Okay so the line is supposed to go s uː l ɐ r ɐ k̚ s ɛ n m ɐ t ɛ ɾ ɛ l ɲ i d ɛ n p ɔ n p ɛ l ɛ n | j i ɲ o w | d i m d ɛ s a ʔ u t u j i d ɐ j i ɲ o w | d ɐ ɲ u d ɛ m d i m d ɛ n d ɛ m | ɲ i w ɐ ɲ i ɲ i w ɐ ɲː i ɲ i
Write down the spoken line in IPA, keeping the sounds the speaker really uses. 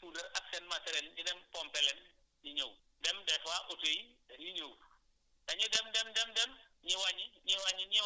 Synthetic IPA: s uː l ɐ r ɐ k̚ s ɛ n m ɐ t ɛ ɾ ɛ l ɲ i d ɛ m p ɔ m p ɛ l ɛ n | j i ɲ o w | d ɛ m d ɛ f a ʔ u t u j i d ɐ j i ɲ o w | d ɐ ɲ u d ɛ m d ɛ m d ɛ m d ɛ m | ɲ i w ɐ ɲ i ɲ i w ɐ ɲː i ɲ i